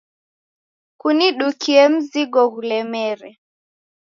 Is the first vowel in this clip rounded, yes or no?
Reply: yes